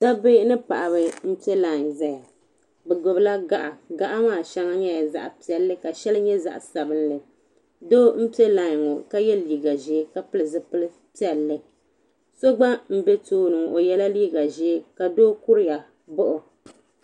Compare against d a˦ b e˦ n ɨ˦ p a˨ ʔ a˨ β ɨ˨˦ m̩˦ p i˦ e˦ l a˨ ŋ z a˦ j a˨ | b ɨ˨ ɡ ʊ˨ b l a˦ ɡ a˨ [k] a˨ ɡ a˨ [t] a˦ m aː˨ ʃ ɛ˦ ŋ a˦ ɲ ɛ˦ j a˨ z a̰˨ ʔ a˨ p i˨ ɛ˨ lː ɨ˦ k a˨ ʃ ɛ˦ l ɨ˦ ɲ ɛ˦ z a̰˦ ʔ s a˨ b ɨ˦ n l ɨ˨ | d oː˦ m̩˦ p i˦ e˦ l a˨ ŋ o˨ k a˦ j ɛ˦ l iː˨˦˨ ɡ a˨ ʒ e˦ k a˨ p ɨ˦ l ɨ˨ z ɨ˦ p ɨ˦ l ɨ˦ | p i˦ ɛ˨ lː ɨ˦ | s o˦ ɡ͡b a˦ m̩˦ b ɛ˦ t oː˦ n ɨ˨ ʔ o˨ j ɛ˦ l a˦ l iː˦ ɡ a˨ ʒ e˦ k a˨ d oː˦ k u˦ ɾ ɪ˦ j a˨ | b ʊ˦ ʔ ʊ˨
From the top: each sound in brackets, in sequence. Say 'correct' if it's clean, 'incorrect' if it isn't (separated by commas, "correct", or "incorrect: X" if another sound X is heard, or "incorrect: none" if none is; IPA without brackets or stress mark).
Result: incorrect: ʔ, incorrect: ʔ